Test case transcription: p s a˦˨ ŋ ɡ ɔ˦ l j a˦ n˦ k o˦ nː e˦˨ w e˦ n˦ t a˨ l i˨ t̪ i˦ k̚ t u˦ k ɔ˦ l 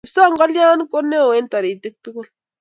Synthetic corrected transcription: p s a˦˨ ŋ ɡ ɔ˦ l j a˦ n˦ k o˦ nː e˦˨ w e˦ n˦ t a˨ ɾ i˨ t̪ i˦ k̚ t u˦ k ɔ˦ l